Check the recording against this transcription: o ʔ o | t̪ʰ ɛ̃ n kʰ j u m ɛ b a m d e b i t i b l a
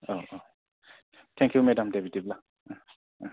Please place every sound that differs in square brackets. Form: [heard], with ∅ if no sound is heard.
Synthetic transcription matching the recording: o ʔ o | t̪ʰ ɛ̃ [ŋ] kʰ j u m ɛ [d] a m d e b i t i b l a